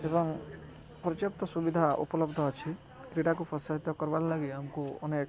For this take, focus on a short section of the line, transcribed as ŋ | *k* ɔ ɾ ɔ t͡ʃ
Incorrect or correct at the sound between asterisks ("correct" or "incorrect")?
incorrect